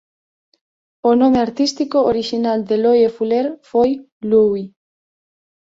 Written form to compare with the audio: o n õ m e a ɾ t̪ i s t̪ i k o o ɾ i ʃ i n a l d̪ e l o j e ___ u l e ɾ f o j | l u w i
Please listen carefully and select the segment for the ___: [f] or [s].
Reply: f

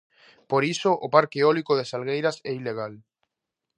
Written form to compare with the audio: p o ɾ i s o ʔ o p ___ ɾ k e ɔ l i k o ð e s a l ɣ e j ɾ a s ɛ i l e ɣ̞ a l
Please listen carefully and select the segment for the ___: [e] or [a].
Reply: a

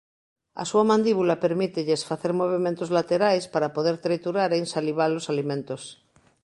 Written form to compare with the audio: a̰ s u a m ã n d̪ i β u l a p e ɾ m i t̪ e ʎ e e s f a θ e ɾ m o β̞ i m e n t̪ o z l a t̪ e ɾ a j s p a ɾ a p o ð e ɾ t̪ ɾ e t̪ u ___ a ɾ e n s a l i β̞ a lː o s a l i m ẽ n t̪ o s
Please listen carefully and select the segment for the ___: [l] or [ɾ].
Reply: ɾ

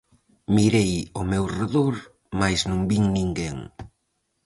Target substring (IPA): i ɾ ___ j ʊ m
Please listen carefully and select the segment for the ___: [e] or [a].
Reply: e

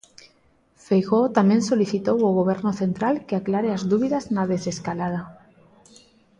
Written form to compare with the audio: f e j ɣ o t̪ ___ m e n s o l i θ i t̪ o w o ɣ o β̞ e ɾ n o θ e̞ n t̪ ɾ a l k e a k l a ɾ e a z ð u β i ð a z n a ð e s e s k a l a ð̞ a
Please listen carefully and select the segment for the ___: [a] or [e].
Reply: a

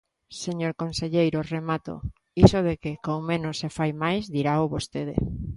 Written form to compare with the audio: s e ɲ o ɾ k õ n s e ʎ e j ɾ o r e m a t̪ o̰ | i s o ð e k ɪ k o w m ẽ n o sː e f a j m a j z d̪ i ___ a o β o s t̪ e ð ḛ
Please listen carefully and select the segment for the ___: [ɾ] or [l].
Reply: ɾ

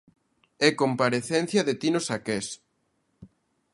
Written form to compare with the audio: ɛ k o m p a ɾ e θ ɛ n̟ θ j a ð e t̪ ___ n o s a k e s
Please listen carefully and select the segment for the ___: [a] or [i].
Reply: i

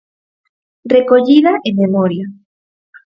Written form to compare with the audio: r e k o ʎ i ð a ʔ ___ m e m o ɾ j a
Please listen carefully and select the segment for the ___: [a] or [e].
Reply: e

